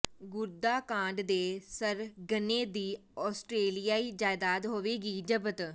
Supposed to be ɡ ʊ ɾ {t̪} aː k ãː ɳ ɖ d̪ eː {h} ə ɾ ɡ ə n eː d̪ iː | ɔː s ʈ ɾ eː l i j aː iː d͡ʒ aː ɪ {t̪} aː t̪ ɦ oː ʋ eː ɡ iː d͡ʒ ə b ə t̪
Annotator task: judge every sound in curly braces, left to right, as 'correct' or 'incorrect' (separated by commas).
incorrect, incorrect, incorrect